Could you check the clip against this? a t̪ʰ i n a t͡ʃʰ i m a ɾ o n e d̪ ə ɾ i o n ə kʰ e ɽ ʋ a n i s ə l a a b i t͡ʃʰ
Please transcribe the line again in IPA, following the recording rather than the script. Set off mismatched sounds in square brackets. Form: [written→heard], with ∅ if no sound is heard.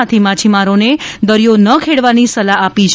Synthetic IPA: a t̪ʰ i [n→m] a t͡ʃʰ i m a ɾ o n e d̪ ə ɾ [i→j] o n ə kʰ e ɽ ʋ a n i s ə l a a [b→p] i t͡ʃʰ